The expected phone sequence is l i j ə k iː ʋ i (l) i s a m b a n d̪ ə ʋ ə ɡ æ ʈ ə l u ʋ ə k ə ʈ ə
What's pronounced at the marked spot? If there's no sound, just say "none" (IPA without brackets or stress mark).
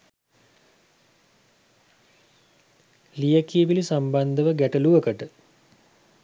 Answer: l